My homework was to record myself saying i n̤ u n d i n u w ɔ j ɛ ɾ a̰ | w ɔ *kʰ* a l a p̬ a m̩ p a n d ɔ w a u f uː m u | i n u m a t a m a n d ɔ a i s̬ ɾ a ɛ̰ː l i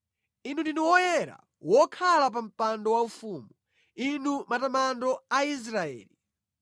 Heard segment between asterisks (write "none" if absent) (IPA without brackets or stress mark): kʰ